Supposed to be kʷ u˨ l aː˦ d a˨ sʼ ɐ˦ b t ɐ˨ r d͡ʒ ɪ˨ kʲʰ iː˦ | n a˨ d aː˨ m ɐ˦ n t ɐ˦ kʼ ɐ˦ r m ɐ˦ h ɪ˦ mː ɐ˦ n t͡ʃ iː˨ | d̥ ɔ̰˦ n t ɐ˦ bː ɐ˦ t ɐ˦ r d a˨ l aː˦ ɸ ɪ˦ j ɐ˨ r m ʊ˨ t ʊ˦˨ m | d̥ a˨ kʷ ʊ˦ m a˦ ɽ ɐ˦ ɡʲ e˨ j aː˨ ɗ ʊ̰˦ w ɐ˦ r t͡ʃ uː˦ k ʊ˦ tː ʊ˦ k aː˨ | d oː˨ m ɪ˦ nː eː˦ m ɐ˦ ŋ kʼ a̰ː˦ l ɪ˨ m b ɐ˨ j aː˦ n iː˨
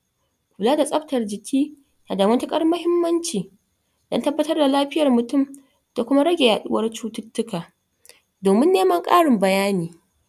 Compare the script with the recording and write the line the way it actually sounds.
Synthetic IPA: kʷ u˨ l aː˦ d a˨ sʼ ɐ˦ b t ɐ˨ r d͡ʒ ɪ˨ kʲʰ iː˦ | n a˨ d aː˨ m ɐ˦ n t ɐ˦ kʼ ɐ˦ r m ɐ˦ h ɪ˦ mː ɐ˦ n t͡ʃ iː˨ | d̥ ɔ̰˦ n t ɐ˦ bː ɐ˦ t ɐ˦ r d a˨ l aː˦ ɸ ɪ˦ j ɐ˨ r m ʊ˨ t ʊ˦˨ m | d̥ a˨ kʷ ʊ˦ m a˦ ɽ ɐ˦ ɡʲ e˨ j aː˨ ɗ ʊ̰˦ w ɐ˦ r t͡ʃ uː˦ t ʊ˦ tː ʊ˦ k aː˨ | d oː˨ m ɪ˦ nː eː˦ m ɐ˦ ŋ kʼ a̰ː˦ ɽ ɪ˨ m b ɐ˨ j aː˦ n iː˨